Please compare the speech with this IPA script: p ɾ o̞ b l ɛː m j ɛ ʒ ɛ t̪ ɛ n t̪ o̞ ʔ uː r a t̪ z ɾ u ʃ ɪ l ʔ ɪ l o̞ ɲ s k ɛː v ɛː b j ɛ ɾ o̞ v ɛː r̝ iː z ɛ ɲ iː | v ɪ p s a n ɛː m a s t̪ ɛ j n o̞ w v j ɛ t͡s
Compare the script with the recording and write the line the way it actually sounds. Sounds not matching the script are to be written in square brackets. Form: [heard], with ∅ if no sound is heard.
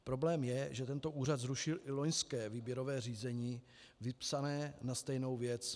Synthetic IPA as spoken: p ɾ o̞ b l ɛː m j ɛ ʒ ɛ t̪ ɛ n t̪ o̞ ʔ uː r a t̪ z ɾ u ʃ ɪ l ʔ ɪ l o̞ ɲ s k ɛː v [iː] b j ɛ ɾ o̞ v ɛː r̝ iː z ɛ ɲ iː | v ɪ p s a n ɛː [n] a s t̪ ɛ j n o̞ w v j ɛ t͡s

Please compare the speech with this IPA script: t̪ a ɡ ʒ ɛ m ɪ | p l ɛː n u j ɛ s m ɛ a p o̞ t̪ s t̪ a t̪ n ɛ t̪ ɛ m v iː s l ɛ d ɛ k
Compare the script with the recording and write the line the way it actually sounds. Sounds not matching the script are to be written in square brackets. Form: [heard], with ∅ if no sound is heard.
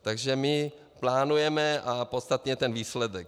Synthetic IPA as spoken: t̪ a ɡ ʒ ɛ m ɪ | p l [aː] n u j ɛ [∅] m ɛ a p o̞ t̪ s t̪ a t̪ [ɲ] ɛ t̪ ɛ [n] v iː s l ɛ d ɛ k

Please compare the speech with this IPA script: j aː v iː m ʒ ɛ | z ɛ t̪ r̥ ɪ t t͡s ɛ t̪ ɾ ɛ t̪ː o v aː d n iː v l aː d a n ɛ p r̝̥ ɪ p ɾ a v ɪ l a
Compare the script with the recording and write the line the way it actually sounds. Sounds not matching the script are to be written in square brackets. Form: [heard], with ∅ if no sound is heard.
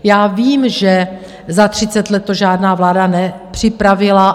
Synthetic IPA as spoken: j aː v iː m ʒ ɛ | z [a] t̪ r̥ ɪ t t͡s ɛ t̪ [l] ɛ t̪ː o [ʒ] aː d n [aː] v l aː d a n ɛ p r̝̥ ɪ p ɾ a v ɪ l a

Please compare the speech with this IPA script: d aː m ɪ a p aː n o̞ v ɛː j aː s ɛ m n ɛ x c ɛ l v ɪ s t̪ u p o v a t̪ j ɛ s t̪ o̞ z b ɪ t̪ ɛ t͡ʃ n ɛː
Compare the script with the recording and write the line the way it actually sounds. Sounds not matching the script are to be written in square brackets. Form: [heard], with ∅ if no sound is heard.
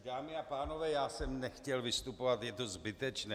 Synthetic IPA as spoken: d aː m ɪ a p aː n o̞ v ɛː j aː s ɛ m n ɛ x c ɛ l v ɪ s t̪ u p o v a t̪ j ɛ [∅] t̪ o̞ z b ɪ t̪ ɛ t͡ʃ n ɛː

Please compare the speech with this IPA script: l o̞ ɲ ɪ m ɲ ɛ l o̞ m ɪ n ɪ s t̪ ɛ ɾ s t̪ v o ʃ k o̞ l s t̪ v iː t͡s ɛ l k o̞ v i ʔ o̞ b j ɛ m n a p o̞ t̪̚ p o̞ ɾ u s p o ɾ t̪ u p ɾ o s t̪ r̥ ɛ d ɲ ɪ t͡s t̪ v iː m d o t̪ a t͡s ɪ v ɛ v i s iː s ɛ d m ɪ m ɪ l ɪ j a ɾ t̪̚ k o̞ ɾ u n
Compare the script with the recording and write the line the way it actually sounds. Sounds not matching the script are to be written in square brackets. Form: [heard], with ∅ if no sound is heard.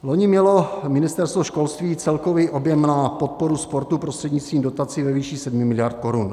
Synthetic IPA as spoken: l o̞ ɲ ɪ m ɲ ɛ l o̞ m ɪ n ɪ s t̪ ɛ ɾ s t̪ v o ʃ k o̞ l s t̪ v iː t͡s ɛ l k o̞ v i ʔ o̞ b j ɛ m n a p o̞ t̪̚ p o̞ ɾ u s p o ɾ t̪ u p ɾ o s t̪ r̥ ɛ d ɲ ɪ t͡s t̪ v iː m d o t̪ a t͡s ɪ v ɛ v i [ʃ] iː s ɛ d m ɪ m ɪ l ɪ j a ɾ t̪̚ k o̞ ɾ u n

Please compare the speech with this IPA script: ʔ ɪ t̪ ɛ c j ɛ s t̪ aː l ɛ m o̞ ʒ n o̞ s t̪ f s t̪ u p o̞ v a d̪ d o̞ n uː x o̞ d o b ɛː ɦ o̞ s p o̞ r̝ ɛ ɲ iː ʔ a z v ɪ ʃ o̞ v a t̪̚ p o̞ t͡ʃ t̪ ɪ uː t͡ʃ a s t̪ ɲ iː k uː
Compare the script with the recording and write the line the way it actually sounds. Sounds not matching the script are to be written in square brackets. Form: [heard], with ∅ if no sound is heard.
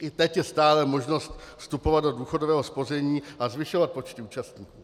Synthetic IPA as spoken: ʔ ɪ t̪ ɛ c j ɛ s t̪ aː l ɛ m o̞ ʒ n o̞ s t̪ f s t̪ u p o̞ v a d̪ d o̞ [d] uː x o̞ d o [v] ɛː ɦ o̞ s p o̞ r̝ ɛ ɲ iː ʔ a z v ɪ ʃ o̞ v a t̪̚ p o̞ t͡ʃ t̪ ɪ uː t͡ʃ a s t̪ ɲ iː k uː

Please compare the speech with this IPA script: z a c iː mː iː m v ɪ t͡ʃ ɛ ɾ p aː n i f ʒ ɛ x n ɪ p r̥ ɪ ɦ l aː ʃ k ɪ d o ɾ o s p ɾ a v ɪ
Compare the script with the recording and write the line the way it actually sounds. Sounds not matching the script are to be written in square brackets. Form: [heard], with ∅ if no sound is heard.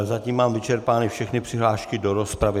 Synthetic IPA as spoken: z a c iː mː [aː] m v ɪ t͡ʃ ɛ ɾ p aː n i f [ʃ] ɛ x n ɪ p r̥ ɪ ɦ l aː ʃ k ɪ d o ɾ o s p ɾ a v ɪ

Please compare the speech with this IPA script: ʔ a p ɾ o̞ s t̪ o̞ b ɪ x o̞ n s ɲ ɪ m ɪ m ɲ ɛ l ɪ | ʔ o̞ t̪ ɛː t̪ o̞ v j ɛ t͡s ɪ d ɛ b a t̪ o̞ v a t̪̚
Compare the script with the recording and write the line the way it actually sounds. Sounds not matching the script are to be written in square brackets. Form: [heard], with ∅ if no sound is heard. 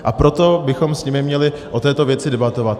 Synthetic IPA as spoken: ʔ a p ɾ o̞ [∅] t̪ o̞ b ɪ x o̞ [m] s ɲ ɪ m ɪ m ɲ ɛ l ɪ | ʔ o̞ t̪ ɛː t̪ o̞ v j ɛ t͡s ɪ d ɛ b a t̪ o̞ v a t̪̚

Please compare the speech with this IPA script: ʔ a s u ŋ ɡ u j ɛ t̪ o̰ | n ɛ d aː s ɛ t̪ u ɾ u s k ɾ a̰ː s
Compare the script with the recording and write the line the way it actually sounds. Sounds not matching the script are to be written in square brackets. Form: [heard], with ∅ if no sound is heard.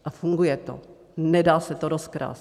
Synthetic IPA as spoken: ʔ a [f] u ŋ ɡ u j ɛ t̪ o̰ | n ɛ d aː s ɛ t̪ [o] ɾ [o] s k ɾ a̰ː s

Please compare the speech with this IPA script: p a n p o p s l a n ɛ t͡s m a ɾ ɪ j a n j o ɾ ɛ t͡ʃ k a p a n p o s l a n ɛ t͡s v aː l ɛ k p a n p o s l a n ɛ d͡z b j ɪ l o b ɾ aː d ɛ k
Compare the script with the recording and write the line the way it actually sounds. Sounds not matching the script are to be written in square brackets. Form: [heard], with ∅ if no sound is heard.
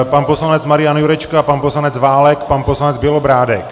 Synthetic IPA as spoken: p a n p o [∅] s l a n ɛ t͡s m a ɾ ɪ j a n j [u] ɾ ɛ t͡ʃ k a p a n p o s l a n ɛ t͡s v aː l ɛ k p a n p o s l a n ɛ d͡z b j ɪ l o b ɾ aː d ɛ k

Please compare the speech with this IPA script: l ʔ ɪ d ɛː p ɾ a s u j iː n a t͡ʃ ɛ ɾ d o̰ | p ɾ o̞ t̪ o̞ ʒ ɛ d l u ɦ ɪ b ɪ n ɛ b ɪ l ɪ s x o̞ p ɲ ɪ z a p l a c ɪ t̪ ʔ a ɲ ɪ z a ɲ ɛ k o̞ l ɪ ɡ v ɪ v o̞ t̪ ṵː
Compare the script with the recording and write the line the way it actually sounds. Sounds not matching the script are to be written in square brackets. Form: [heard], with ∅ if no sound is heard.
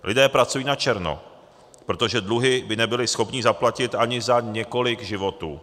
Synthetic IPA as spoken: l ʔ ɪ d ɛː p ɾ a [t͡s] u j iː n a t͡ʃ ɛ ɾ [n] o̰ | p ɾ o̞ t̪ o̞ ʒ ɛ d l u ɦ ɪ b ɪ n ɛ b ɪ l ɪ s x o̞ p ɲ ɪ z a p l a c ɪ t̪ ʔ a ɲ ɪ z a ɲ ɛ k o̞ l ɪ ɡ [ʒ] ɪ v o̞ t̪ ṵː

